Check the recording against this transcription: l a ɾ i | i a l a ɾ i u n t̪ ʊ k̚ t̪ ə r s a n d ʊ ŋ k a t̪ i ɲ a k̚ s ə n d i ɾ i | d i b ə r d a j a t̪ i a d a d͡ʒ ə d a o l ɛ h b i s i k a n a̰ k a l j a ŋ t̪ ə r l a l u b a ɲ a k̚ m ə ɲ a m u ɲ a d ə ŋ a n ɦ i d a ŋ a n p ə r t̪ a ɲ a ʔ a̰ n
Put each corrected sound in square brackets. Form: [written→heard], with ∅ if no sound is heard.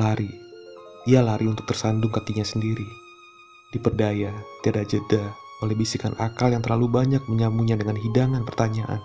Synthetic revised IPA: l a ɾ i | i a l a ɾ i u n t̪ ʊ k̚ t̪ ə r s a n d ʊ ŋ k a t̪ i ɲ a [k̚→∅] s ə n d i ɾ i | d i [b→p] ə r d a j a t̪ i a d a d͡ʒ ə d a o l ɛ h b i s i k a n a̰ k a l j a ŋ t̪ ə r l a l u b a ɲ a k̚ m ə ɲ a m u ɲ a d ə ŋ a n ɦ i d a ŋ a n p ə r t̪ a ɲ a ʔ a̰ n